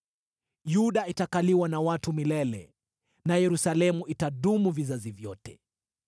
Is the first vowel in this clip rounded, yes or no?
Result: yes